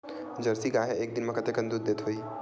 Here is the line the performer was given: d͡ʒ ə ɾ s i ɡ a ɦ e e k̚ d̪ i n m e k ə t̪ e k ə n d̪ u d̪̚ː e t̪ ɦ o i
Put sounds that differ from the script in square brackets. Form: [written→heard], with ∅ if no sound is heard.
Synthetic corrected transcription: d͡ʒ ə ɾ s i ɡ a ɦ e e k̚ d̪ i n m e k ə t̪ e k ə n d̪ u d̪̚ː e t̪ ɦ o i